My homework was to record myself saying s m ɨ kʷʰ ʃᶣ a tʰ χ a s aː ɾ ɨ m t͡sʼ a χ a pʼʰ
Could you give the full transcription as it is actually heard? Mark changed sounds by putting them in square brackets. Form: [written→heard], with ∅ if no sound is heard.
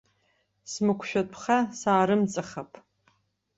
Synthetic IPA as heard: s m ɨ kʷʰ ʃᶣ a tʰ χ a s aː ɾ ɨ m t͡sʼ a χ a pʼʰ